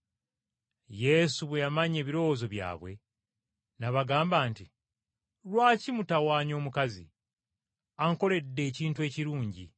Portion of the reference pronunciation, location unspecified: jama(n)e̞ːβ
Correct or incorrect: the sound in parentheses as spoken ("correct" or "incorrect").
incorrect